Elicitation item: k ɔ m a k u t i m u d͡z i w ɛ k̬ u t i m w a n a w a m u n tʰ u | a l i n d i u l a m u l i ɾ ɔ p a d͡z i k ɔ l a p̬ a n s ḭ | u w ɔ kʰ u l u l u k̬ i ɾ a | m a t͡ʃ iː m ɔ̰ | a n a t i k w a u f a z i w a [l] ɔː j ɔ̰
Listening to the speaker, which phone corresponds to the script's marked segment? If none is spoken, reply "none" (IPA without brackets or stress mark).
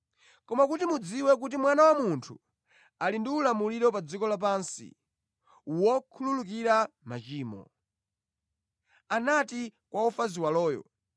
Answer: l